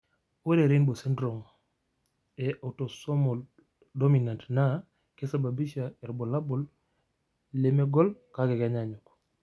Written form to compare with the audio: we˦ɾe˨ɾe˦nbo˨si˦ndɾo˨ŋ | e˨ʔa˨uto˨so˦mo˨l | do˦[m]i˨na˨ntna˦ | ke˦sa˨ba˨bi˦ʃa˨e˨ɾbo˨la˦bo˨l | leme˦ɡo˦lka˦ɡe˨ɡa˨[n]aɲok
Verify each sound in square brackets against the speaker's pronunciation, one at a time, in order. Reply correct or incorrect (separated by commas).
correct, incorrect